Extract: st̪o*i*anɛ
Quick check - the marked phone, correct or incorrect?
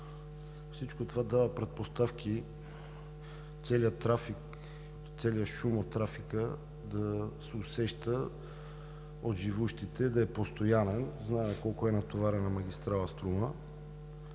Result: incorrect